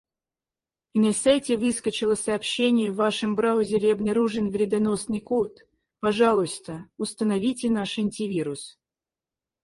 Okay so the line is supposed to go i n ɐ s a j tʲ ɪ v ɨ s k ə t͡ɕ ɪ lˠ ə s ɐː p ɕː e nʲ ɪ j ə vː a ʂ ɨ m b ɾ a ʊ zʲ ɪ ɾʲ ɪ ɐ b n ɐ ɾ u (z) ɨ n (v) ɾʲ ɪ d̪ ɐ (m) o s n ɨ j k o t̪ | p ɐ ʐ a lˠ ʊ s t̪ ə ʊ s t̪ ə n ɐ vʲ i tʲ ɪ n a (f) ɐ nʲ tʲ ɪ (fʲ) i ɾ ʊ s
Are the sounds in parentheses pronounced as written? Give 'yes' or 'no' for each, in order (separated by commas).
no, yes, no, no, no